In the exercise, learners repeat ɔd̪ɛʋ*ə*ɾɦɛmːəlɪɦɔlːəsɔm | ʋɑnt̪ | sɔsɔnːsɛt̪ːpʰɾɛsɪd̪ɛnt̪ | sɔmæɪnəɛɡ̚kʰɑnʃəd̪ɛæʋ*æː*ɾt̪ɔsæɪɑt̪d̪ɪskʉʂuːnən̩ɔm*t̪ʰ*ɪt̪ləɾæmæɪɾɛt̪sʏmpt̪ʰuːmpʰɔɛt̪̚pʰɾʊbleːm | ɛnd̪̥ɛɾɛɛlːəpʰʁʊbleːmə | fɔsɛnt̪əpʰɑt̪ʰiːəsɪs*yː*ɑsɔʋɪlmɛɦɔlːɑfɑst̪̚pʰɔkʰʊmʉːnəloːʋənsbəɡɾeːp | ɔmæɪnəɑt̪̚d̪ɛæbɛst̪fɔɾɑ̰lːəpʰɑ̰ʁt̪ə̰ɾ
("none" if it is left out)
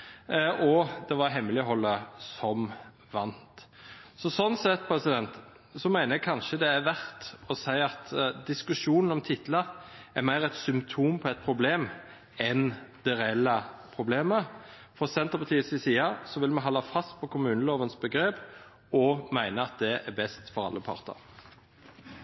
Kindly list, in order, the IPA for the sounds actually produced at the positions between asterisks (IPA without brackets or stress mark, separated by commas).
ɑ, æ, t̪ʰ, iː